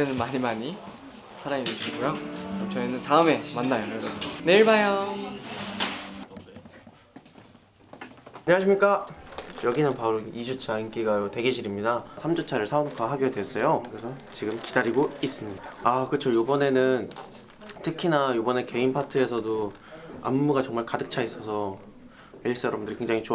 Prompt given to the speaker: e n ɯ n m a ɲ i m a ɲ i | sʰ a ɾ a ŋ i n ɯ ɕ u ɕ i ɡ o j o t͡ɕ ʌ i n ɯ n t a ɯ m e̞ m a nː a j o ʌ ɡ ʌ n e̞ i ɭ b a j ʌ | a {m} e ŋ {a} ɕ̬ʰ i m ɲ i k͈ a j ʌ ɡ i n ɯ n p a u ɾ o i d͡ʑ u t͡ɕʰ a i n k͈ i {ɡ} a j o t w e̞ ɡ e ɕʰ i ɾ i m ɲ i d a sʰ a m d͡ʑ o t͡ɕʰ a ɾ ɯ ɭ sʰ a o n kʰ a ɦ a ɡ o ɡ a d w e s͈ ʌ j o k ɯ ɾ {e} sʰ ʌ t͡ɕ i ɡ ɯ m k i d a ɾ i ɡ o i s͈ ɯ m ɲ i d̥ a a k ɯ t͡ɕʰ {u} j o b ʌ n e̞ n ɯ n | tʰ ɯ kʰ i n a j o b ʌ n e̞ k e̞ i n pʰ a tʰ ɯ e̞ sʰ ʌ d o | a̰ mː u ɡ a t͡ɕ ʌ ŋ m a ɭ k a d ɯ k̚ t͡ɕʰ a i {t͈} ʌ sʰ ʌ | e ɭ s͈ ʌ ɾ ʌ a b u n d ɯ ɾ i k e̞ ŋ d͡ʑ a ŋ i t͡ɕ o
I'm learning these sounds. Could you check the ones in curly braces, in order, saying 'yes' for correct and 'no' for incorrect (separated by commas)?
no, yes, yes, yes, no, no